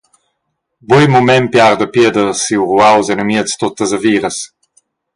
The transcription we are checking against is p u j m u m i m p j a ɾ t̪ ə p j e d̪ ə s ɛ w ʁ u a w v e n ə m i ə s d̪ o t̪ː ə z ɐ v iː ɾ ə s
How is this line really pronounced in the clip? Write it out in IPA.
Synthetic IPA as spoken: b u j m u m ɛ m p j a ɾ d̪ ə p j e d̪ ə s i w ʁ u a w z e n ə m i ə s t̪ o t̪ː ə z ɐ v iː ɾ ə s